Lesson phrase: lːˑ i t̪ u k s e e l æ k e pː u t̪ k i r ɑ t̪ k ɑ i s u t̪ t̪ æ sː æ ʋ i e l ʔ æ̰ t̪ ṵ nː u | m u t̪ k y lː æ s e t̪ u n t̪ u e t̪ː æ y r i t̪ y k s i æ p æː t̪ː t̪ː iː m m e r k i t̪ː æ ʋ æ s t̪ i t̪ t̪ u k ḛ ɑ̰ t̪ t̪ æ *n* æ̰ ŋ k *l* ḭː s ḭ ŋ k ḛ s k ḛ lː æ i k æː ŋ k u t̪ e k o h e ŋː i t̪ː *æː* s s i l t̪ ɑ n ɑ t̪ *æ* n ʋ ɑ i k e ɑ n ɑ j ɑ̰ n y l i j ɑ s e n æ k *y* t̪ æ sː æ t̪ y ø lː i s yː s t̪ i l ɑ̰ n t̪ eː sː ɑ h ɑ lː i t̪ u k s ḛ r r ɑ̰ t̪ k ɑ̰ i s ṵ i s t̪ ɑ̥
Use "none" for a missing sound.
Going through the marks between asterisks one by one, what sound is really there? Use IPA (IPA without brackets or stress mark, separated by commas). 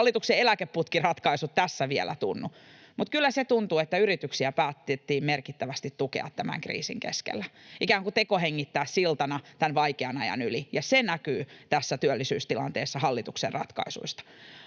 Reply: m, r, æː, æ, yː